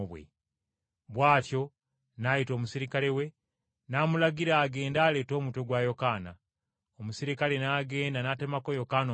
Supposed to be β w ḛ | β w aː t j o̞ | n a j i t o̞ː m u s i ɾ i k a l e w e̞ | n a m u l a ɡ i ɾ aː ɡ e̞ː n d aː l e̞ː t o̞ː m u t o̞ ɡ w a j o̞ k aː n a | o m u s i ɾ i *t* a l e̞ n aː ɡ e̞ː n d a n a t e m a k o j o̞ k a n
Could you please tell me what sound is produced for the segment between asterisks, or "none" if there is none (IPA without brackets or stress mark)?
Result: k